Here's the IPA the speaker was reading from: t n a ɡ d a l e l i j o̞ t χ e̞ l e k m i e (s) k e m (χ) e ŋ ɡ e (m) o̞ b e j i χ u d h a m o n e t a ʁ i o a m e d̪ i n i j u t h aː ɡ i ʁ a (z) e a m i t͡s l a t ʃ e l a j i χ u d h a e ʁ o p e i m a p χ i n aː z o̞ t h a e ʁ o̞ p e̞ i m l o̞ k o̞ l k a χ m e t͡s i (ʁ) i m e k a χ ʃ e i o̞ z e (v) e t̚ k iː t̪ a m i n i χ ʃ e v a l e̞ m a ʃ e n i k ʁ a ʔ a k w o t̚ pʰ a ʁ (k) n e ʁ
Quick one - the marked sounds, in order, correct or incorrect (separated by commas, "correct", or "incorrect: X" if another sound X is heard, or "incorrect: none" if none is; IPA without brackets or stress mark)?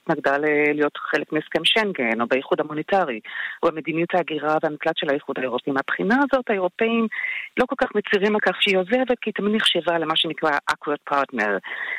correct, incorrect: ʃ, incorrect: n, incorrect: v, correct, correct, incorrect: t